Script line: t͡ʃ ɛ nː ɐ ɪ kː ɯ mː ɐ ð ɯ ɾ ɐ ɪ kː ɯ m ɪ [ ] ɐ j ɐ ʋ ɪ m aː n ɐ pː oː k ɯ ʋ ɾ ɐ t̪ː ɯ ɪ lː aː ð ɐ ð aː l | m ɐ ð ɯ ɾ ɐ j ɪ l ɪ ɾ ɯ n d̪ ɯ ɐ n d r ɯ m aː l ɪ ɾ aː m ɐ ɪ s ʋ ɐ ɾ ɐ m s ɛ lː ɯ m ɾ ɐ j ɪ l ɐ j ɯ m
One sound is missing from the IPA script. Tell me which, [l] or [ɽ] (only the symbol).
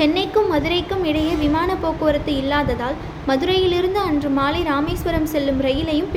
ɽ